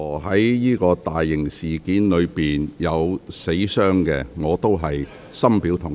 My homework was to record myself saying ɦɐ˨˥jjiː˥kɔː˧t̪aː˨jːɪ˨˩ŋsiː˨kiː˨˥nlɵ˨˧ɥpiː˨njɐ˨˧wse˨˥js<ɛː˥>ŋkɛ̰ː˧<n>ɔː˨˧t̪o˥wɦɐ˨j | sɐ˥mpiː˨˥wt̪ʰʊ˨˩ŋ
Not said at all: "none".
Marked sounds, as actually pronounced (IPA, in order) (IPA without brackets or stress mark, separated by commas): œː˥, ŋ